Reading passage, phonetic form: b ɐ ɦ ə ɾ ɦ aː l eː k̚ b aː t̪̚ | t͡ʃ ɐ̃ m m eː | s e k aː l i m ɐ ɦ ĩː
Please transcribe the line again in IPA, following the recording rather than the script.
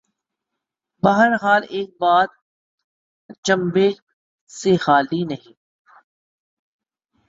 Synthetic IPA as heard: b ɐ ɦ ə ɾ ɦ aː l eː k̚ b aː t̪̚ | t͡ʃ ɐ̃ m b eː | s e x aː l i n ɐ ɦ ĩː